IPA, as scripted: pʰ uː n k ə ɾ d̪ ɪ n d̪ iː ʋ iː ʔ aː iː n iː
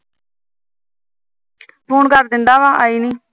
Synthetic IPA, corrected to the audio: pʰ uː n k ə ɾ d̪ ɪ n d̪ aː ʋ aː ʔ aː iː n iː